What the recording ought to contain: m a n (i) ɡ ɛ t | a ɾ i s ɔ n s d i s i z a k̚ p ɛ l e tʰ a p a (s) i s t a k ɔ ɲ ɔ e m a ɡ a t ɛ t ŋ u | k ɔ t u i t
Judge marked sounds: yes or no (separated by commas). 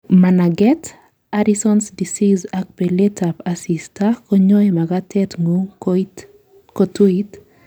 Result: no, yes